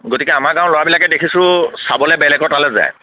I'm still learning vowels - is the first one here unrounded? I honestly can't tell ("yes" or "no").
no